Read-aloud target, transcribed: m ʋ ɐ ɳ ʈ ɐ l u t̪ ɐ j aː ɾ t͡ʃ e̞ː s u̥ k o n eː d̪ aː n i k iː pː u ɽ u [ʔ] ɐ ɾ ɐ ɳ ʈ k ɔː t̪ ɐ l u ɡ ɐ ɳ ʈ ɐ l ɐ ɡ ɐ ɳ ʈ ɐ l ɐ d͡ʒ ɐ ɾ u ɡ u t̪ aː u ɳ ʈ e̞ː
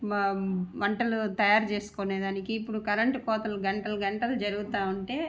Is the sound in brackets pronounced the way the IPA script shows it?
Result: no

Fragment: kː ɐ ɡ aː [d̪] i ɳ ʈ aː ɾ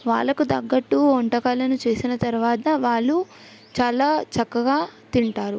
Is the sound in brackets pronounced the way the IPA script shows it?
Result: no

